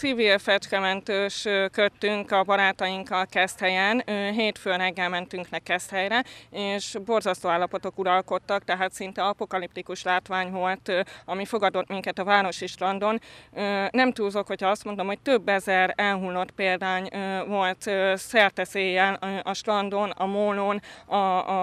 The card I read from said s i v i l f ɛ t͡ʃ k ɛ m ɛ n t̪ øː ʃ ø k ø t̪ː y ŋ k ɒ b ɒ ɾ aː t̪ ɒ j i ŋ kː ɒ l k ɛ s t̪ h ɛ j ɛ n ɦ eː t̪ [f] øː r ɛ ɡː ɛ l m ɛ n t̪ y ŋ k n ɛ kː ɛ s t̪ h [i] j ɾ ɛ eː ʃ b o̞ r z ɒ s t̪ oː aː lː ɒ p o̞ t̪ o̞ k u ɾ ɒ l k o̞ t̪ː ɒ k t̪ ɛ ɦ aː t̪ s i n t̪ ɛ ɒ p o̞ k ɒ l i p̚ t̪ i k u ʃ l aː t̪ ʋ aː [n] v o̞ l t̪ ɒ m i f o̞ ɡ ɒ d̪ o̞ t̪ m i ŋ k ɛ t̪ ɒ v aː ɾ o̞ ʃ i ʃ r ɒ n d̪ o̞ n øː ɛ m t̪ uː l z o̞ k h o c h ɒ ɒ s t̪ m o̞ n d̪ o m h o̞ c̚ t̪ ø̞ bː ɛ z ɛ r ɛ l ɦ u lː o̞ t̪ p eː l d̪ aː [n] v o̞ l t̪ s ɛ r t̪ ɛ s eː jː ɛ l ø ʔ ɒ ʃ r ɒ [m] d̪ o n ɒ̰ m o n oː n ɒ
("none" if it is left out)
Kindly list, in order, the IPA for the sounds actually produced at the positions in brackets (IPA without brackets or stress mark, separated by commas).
f, ɛ, ɲ, ɲ, n